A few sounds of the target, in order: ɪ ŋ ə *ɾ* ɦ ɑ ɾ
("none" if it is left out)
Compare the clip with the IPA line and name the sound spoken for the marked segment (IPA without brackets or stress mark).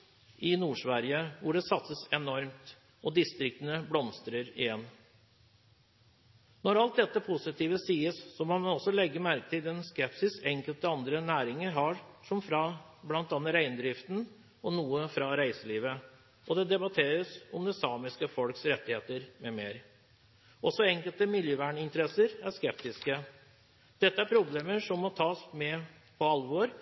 ɾ